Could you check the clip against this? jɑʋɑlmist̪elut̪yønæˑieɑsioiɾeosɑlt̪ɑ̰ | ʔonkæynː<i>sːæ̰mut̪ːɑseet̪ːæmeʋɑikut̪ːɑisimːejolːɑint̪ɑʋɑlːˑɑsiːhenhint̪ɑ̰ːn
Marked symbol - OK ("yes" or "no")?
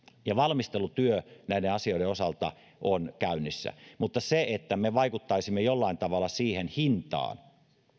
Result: yes